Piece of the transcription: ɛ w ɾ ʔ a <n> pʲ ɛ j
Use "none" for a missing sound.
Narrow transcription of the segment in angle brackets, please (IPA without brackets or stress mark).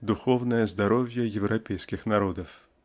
none